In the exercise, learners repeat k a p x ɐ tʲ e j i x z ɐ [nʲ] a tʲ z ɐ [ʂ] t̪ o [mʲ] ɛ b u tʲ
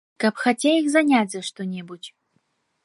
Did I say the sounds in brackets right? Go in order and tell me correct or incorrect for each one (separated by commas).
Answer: correct, correct, incorrect